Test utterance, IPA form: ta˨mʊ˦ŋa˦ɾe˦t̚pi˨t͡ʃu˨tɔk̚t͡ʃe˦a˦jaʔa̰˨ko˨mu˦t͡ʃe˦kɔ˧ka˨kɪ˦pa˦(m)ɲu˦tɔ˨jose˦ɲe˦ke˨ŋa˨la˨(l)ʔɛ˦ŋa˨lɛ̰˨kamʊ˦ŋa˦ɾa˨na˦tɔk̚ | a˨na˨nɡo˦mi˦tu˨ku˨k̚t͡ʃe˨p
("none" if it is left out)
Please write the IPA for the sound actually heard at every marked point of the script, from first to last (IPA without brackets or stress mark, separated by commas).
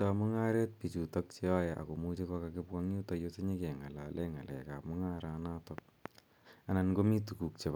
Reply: ŋ, l